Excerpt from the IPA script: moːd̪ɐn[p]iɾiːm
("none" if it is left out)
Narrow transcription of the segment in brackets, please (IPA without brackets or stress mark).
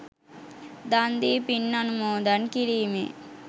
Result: k